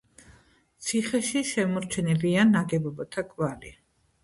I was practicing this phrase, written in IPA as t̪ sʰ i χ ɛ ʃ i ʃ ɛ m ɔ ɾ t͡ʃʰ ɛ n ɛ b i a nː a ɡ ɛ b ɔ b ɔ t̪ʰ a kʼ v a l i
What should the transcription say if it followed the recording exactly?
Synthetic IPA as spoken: t̪ sʰ i χ ɛ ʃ i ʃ ɛ m ɔ ɾ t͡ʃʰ ɛ n ɛ b i a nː a ɡ ɛ b ɔ b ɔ t̪ʰ a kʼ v a l i